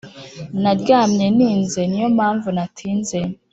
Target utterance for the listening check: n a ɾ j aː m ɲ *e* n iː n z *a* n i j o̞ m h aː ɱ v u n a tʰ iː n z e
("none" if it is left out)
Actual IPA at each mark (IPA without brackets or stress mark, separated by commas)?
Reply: e, e